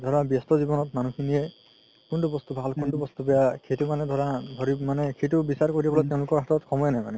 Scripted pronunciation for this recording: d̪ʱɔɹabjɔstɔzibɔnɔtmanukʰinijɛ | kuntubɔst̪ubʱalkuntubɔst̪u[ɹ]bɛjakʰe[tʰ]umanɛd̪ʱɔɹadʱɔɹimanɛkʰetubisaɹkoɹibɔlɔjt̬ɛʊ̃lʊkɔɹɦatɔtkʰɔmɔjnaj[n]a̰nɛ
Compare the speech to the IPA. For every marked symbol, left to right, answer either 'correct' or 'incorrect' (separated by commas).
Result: incorrect, incorrect, incorrect